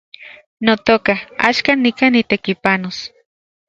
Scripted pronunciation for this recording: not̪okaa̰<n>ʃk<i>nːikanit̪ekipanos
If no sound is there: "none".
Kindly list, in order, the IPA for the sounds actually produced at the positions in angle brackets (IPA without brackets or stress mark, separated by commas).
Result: none, a